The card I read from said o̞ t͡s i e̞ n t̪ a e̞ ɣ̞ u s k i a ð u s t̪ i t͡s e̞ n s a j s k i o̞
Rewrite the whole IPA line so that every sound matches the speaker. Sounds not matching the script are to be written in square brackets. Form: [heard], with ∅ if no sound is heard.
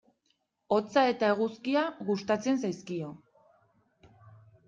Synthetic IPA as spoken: o̞ t͡s [a] e̞ [∅] t̪ a e̞ ɣ̞ u s k i a [ɣ] u s t̪ [a] t͡s e̞ n s a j s k i o̞